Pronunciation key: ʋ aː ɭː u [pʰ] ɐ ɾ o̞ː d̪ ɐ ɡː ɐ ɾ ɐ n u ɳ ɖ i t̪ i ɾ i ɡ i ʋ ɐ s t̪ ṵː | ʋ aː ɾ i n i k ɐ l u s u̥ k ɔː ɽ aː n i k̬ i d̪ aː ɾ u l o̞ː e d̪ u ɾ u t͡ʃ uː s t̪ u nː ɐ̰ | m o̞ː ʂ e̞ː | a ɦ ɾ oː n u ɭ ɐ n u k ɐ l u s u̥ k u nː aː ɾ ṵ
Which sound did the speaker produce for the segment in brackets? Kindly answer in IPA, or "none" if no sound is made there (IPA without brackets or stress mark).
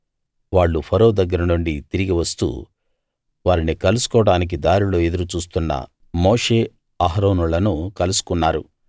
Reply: pʰ